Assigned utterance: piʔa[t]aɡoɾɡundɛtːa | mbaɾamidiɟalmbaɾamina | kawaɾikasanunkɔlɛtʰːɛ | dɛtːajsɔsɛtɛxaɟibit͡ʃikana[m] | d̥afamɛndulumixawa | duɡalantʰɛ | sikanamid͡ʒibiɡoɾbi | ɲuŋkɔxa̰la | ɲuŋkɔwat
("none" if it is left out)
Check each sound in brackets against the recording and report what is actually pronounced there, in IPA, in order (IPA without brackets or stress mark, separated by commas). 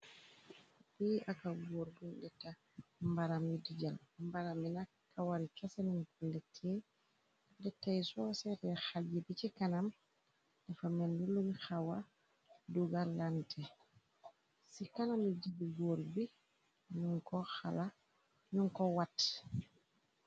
k, m